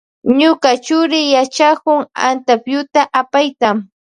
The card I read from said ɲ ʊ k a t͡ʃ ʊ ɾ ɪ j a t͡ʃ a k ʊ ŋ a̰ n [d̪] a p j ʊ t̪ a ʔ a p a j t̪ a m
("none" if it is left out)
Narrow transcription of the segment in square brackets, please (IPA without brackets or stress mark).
t̪